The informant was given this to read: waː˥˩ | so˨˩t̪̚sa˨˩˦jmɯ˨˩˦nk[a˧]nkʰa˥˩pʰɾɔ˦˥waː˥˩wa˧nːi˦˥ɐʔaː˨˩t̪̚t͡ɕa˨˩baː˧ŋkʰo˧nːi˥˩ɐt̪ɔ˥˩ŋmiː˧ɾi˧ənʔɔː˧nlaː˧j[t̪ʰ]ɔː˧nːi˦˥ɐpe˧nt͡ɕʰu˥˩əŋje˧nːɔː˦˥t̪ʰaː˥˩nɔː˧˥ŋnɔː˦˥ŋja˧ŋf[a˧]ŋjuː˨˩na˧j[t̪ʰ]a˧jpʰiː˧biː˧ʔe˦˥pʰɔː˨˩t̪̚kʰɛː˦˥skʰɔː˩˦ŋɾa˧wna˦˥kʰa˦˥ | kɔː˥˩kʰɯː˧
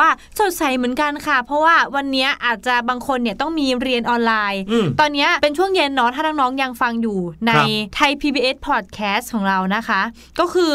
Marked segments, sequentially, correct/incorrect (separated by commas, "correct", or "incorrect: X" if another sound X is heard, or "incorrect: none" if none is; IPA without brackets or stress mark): correct, incorrect: t̪, correct, correct